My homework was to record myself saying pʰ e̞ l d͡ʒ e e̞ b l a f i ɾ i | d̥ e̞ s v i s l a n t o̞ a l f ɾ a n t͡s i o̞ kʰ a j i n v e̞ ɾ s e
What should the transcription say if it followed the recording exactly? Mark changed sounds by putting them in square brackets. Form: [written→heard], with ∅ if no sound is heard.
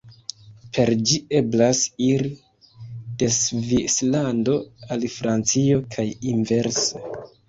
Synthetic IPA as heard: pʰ e̞ [l→ɾ] d͡ʒ [e→i] e̞ b l a [f→s] i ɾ i | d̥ e̞ s v i s l a n [t→d] o̞ a l f ɾ a n t͡s i o̞ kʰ a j i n v e̞ ɾ s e